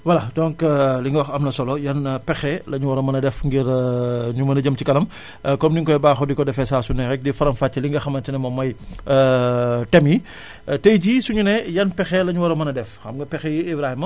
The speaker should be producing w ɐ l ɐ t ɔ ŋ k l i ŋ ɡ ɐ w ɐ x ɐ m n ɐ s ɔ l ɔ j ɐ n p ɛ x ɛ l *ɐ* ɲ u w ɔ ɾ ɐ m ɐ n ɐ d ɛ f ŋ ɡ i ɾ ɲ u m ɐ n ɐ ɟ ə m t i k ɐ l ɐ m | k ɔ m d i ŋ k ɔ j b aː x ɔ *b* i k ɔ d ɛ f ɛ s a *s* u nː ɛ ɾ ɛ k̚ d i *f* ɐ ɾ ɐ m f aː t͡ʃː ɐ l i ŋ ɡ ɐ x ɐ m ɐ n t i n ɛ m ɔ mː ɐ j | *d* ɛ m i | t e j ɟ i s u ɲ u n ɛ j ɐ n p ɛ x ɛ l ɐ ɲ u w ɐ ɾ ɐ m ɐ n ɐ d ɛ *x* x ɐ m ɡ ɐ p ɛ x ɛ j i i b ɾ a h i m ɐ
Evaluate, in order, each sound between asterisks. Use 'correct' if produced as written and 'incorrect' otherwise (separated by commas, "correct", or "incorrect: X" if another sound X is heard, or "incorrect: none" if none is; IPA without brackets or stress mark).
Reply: correct, incorrect: d, correct, correct, incorrect: t, incorrect: f